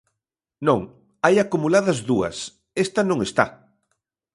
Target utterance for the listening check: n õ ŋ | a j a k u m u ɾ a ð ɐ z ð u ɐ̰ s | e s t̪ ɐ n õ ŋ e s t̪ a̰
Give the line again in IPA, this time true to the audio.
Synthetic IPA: n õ ŋ | a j a k u m u l a ð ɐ z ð u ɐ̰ s | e s t̪ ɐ n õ ŋ e s t̪ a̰